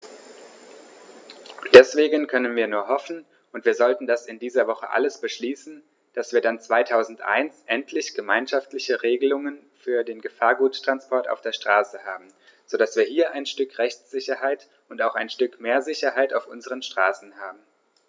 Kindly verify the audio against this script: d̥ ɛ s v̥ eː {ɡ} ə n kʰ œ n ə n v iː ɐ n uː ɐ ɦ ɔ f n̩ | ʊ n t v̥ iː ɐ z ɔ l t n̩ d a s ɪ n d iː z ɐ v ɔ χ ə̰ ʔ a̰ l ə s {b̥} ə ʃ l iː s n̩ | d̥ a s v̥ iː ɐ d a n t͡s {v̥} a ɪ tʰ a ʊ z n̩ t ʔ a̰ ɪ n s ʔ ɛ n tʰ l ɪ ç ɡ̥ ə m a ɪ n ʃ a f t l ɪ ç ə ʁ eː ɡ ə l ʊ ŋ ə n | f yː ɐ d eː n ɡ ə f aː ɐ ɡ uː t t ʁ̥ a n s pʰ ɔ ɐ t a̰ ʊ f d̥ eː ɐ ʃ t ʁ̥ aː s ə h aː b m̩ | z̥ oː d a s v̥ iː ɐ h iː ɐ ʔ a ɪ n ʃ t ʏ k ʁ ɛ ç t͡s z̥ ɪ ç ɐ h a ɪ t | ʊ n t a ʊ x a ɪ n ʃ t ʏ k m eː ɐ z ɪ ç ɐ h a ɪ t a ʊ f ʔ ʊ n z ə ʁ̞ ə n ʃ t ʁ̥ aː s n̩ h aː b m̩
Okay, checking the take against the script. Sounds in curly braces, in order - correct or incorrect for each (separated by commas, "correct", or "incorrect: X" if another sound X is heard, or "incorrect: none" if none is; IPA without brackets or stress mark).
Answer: correct, correct, correct